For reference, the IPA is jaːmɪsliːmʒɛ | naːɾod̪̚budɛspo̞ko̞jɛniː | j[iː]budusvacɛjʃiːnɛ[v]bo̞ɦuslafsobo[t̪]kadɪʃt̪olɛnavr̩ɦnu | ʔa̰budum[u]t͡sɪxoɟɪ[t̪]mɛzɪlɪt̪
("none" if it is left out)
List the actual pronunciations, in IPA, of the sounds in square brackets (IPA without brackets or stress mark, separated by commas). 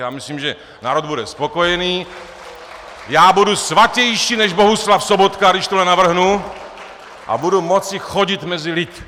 aː, ʒ, t̪, o, t̪